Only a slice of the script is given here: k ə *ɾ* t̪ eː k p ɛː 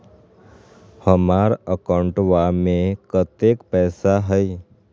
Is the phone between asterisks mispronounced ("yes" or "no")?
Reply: yes